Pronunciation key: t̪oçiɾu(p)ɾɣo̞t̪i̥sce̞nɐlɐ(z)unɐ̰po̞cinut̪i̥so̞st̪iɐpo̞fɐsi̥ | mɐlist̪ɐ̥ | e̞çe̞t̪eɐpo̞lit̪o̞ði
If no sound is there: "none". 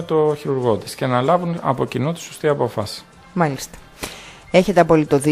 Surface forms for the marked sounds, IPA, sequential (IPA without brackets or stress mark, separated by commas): none, v